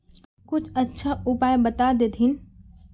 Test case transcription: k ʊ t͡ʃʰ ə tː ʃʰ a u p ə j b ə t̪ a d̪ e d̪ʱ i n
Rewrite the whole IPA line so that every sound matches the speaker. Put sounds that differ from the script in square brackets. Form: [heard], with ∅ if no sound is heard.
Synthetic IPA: k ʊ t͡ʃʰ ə tː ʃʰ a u p [a] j b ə t̪ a d̪ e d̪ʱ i n